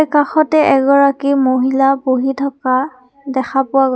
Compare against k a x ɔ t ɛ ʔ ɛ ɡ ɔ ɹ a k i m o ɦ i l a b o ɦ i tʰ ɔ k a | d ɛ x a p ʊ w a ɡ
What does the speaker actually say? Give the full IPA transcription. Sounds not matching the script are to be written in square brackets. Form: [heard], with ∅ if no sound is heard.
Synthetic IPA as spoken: k a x ɔ t ɛ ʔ ɛ ɡ ɔ ɹ a k i m o ɦ i l a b o ɦ i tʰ ɔ k a | d ɛ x a p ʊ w a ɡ